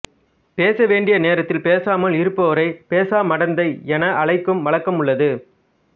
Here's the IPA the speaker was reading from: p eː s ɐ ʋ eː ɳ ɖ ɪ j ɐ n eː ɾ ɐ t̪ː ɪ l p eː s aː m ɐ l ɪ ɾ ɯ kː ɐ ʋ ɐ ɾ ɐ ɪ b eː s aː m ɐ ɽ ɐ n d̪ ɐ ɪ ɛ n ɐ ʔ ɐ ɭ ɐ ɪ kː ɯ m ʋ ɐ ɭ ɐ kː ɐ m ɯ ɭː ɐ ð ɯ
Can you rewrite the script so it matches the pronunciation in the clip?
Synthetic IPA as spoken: p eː s ɐ ʋ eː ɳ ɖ ɪ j ɐ n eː ɾ ɐ t̪ː ɪ l p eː s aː m ɐ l ɪ ɾ ɯ pː ɐ ʋ ɐ ɾ ɐ ɪ p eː s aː m ɐ ɽ ɐ n d̪ ɐ ɪ ɛ n ɐ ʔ ɐ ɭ ɐ ɪ kː ɯ m ʋ ɐ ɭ ɐ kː ɐ m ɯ ɭː ɐ ð ɯ